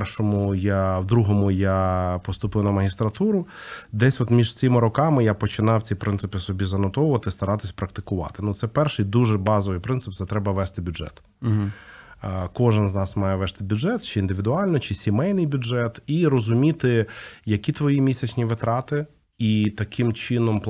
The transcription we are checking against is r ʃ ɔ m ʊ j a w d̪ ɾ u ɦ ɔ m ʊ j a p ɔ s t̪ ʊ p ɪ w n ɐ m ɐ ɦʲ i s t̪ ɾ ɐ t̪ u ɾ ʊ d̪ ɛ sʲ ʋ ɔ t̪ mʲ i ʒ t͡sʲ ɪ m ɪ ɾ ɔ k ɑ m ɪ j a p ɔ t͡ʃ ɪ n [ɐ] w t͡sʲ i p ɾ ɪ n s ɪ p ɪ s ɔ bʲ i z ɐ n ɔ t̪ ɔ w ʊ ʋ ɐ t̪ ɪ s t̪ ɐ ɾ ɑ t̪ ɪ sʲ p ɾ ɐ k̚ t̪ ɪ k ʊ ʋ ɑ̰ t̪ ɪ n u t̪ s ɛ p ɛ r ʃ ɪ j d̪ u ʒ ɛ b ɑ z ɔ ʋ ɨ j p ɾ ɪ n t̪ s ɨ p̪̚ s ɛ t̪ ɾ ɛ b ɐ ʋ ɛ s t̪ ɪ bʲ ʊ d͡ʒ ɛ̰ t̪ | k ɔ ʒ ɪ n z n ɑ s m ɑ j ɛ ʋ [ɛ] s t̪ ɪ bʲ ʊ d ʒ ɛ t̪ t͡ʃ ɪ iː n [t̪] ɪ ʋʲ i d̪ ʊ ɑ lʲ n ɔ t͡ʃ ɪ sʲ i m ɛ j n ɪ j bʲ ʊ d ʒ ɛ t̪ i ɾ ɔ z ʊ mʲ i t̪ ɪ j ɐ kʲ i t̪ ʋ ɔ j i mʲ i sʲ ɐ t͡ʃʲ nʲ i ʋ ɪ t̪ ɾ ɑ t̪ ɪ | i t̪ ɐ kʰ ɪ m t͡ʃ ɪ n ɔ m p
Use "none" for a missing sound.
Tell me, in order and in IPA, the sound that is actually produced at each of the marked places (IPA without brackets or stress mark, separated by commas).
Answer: ɑ, ɛ, d̪